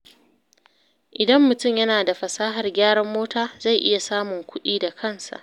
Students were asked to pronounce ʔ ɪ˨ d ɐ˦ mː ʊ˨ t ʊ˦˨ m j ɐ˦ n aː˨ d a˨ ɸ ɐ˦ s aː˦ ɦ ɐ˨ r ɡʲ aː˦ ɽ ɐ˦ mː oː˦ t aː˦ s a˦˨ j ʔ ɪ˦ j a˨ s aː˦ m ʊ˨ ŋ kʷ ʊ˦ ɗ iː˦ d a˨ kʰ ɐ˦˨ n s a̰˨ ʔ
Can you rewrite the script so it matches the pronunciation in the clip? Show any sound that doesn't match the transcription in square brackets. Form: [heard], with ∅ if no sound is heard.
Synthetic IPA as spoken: ʔ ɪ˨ d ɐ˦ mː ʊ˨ t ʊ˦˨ m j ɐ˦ n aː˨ d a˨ ɸ [ɐ˨] s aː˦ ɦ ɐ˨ r ɡʲ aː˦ ɽ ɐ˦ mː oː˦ t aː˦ [z] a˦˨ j ʔ ɪ˦ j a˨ s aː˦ m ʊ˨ ŋ kʷ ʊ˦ ɗ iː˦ d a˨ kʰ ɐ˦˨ n s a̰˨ ʔ